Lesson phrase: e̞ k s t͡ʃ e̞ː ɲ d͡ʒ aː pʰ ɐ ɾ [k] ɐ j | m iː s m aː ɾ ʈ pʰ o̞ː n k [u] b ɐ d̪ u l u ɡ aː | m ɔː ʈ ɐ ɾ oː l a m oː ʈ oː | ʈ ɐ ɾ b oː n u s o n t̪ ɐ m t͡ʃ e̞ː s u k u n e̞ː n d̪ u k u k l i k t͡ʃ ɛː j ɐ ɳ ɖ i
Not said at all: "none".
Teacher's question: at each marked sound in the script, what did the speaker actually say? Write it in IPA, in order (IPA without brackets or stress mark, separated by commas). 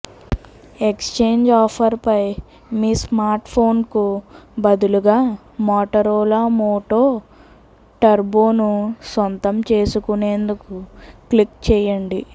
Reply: p, u